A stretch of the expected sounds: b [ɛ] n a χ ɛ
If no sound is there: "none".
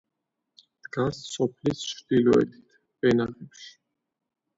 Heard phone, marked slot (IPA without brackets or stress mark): ɛ